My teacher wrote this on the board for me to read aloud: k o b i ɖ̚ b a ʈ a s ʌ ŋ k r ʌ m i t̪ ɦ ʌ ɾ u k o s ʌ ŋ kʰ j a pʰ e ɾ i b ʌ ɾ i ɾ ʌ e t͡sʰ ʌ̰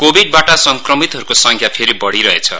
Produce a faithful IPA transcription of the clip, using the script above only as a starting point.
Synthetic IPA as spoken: k o b i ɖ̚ b a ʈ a s ʌ ŋ k r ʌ m i t̪ ɦ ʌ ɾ u k o s ʌ ŋ kʰ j a pʰ e ɾ i b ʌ ɽ i ɾ ʌ e t͡sʰ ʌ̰